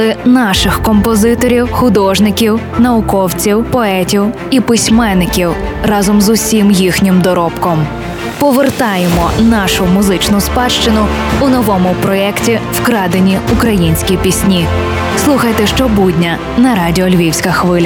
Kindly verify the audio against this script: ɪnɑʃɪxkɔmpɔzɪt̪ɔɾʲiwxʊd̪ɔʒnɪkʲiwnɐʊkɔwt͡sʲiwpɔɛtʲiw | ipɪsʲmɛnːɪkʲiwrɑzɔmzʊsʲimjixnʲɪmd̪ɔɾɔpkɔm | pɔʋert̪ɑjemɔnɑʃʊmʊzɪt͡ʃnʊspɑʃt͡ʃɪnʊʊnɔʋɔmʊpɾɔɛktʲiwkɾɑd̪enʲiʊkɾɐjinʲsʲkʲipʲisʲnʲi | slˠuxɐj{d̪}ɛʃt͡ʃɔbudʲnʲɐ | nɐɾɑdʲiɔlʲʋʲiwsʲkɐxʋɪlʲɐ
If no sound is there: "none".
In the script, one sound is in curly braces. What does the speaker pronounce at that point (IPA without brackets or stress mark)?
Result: t̪